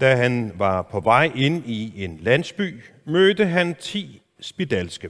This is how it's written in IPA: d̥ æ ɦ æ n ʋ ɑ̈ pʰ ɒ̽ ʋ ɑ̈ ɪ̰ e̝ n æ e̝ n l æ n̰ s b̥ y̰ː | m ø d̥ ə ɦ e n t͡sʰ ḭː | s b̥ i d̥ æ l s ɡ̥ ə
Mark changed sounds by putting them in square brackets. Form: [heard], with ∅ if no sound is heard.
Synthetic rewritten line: d̥ æ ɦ æ n ʋ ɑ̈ pʰ ɒ̽ ʋ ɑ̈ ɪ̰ e̝ n [i] e̝ n l æ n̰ s b̥ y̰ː | m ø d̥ ə ɦ [æ] n t͡sʰ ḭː | s b̥ i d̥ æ l s ɡ̥ ə